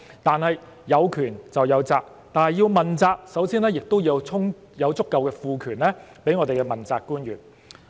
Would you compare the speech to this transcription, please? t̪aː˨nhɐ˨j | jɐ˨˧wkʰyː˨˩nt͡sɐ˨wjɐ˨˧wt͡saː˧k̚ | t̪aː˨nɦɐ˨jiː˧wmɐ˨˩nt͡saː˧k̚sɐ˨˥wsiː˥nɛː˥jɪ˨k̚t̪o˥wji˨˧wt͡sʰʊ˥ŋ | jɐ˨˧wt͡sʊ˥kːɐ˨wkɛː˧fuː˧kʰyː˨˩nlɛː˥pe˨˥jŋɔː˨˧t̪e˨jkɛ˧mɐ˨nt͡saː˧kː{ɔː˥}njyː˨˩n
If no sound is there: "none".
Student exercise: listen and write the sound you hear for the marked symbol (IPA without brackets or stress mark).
uː˥